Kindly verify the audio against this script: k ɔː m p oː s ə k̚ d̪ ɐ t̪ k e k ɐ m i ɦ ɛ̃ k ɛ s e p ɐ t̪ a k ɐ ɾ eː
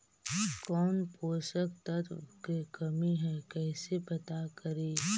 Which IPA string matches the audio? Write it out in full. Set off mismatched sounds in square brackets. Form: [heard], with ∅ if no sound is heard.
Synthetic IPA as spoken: k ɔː [n] p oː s ə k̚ [t̪] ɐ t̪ k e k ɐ m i ɦ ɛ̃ k [ɛː] s e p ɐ t̪ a k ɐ ɾ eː